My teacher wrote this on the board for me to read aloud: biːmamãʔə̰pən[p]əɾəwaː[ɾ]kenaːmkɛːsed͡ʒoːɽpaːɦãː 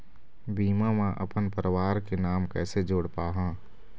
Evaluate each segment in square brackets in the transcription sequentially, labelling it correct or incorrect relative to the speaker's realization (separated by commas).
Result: correct, correct